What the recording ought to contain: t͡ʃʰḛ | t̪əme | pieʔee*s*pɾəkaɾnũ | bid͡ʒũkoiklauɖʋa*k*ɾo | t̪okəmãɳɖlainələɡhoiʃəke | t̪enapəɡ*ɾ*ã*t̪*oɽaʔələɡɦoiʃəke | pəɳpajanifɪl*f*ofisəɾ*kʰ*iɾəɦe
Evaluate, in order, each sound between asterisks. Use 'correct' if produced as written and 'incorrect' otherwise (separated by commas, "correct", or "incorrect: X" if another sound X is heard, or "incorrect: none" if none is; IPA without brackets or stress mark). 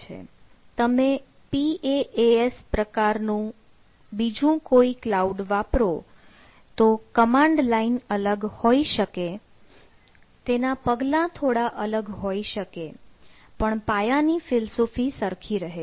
correct, incorrect: p, incorrect: l, incorrect: t̪ʰ, incorrect: s, correct